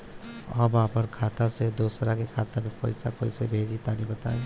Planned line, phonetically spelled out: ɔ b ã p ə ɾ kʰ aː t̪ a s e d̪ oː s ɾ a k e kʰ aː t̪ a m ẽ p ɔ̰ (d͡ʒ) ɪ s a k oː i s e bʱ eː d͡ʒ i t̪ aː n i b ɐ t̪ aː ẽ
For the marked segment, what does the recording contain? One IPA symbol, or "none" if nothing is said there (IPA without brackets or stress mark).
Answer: none